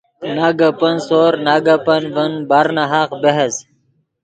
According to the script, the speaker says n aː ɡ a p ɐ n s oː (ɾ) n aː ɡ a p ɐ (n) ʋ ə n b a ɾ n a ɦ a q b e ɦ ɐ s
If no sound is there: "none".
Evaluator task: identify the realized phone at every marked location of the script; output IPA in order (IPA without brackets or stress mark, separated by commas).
ɾ, n